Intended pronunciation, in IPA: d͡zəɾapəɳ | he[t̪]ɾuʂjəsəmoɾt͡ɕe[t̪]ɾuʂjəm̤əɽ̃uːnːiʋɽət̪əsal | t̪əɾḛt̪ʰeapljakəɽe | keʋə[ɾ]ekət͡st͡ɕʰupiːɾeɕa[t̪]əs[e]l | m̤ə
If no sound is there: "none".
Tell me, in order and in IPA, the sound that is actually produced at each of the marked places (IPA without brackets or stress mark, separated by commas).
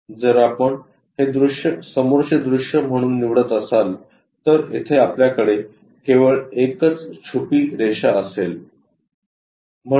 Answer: d̪, d̪, ɭ, none, e